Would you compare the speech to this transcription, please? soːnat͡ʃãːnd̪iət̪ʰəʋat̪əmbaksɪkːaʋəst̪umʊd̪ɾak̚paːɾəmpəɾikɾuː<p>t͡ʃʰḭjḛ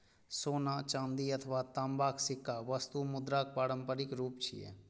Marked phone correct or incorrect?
correct